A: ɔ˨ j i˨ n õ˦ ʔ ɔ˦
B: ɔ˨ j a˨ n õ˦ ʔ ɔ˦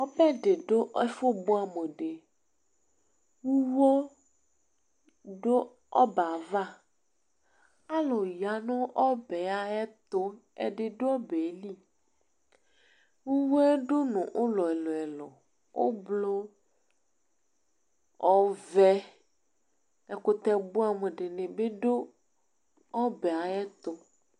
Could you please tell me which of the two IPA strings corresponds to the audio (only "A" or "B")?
B